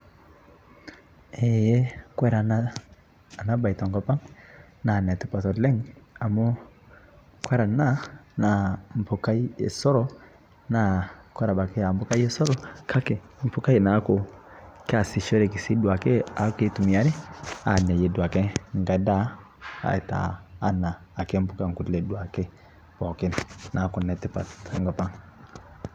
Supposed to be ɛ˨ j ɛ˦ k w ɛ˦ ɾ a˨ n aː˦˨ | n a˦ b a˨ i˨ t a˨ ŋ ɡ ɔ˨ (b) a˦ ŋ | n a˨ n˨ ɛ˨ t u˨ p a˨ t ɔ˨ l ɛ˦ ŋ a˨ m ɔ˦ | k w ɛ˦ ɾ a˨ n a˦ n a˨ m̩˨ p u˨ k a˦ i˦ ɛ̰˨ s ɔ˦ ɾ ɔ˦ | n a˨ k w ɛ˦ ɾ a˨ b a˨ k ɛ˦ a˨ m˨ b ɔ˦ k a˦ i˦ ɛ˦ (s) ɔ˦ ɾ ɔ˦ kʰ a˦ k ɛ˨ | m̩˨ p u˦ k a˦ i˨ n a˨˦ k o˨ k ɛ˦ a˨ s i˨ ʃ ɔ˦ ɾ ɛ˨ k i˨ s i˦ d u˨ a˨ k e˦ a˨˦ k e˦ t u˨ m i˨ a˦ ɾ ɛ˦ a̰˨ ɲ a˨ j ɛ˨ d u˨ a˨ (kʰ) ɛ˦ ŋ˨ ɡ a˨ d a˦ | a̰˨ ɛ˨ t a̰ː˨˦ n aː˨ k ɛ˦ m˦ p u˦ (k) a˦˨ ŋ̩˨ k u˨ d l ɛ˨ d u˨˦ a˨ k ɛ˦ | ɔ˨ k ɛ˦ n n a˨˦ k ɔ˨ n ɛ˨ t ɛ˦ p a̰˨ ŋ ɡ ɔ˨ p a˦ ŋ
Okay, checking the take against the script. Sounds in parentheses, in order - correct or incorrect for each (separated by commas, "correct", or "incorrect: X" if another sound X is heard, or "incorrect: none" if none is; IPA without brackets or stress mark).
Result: incorrect: p, correct, incorrect: k, correct